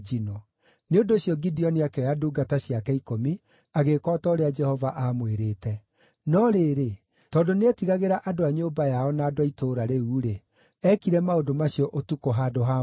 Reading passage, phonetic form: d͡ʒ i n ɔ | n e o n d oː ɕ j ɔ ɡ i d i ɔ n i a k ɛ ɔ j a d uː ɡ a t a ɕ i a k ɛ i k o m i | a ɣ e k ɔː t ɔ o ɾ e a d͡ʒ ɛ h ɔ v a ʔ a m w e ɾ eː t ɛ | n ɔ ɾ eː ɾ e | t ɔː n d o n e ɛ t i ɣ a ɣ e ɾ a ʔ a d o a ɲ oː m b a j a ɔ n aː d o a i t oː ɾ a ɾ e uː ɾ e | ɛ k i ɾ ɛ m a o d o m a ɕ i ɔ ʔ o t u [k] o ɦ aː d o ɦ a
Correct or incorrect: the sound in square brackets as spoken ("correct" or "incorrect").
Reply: correct